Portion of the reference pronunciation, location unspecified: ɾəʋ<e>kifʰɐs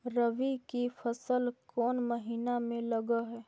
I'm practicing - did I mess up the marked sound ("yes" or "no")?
yes